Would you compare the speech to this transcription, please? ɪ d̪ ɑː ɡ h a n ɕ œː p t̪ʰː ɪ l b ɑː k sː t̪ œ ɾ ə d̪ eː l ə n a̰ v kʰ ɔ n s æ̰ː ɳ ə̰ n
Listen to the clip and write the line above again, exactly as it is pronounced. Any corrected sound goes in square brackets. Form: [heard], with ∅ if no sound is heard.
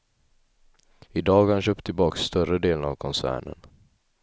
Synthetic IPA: ɪ d̪ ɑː ɡ h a n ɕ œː p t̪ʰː ɪ l b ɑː k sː t̪ œ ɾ ə d̪ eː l ə n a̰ v kʰ ɔ n s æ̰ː ɳ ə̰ n